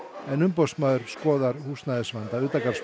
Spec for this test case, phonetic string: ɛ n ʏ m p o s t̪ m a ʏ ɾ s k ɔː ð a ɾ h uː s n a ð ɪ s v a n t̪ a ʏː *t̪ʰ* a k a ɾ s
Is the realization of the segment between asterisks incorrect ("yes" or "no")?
yes